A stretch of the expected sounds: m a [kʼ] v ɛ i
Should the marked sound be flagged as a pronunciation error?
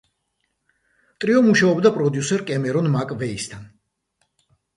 no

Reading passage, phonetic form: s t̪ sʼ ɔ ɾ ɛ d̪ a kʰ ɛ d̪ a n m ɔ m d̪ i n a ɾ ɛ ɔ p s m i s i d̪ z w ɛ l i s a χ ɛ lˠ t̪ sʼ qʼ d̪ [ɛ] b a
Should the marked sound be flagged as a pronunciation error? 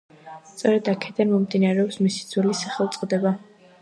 no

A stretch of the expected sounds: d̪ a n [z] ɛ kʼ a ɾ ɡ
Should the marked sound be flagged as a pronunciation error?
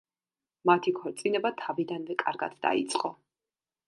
yes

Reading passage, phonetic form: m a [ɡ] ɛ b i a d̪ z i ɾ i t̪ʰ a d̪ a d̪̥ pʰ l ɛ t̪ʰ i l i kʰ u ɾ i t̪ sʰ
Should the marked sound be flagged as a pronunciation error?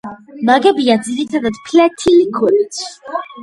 no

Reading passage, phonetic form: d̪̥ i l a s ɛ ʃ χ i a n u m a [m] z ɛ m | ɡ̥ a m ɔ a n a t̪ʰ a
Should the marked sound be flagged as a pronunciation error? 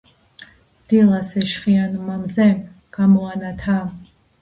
no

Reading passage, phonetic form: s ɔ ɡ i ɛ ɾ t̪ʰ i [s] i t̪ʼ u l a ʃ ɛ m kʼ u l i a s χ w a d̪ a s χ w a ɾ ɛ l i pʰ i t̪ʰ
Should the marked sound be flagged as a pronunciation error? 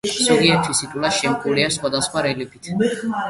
no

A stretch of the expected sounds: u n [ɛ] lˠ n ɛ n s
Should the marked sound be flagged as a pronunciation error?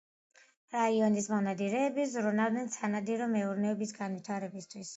yes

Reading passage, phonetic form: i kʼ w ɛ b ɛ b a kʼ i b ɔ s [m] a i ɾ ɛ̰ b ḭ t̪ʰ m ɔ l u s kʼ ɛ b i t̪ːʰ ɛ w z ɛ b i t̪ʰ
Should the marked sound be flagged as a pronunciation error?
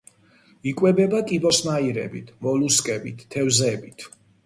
no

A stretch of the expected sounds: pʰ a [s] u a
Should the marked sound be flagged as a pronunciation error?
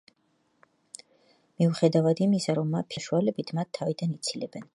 yes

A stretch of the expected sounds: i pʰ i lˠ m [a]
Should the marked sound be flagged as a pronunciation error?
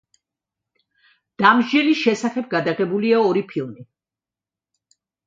yes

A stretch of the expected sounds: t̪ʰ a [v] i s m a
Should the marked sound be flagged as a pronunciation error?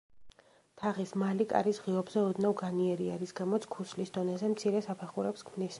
yes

